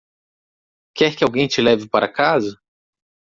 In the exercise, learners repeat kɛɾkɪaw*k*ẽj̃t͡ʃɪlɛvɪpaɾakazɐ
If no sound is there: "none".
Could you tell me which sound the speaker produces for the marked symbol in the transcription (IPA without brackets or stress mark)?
ɡ